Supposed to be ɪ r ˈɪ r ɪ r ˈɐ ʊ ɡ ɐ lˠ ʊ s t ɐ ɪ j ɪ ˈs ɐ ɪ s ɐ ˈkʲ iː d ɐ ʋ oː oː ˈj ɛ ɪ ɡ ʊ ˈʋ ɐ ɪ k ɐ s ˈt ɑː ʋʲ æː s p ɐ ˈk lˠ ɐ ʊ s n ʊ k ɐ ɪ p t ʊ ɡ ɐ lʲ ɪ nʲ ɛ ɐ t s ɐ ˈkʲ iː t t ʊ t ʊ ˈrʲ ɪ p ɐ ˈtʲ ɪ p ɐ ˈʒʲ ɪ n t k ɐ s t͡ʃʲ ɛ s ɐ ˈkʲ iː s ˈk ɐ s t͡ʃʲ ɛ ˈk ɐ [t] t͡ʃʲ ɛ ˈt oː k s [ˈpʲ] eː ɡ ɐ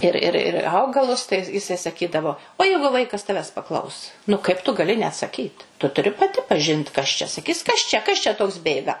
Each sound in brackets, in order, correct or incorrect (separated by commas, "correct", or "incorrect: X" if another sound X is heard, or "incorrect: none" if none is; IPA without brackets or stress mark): incorrect: s, incorrect: bʲ